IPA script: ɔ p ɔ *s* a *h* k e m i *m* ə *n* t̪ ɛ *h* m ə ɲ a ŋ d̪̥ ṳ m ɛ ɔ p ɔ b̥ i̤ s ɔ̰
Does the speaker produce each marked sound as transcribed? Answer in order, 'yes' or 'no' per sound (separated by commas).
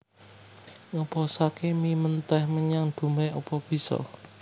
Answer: yes, no, yes, yes, yes